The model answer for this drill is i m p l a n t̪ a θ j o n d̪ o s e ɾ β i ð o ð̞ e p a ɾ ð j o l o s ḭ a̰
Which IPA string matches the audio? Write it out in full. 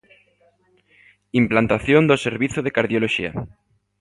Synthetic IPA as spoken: i m p l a n t̪ a θ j o n d̪ o s e ɾ β i θ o ð̞ e k a ɾ ð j o l o ʃ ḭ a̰